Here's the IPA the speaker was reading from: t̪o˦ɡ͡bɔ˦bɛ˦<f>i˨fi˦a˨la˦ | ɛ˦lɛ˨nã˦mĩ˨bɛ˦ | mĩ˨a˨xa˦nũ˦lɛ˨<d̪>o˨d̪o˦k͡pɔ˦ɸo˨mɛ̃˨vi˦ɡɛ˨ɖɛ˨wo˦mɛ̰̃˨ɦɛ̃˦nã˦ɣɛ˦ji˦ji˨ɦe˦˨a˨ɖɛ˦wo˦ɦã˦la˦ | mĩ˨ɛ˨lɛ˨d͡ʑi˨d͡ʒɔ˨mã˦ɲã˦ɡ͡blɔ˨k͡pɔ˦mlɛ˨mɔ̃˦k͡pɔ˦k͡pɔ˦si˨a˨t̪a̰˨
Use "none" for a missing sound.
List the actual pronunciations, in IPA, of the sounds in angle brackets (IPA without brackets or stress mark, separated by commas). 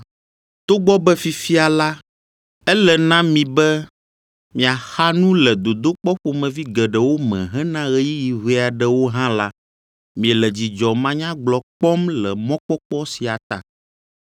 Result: f, d̪